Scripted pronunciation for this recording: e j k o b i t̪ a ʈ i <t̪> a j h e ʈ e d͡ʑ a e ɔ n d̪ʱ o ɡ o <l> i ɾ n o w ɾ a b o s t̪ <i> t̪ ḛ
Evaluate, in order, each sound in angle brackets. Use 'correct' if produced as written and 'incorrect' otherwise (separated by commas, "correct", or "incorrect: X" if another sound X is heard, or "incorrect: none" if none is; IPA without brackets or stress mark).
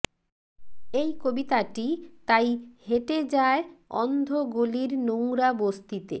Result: correct, correct, correct